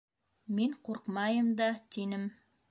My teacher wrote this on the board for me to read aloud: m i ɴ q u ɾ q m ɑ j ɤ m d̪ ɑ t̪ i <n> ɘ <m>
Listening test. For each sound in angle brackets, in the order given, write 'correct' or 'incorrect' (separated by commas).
correct, correct